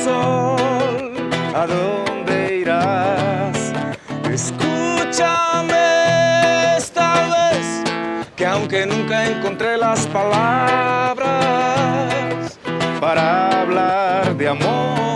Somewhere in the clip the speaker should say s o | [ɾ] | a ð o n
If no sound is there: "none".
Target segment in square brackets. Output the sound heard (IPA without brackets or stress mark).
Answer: l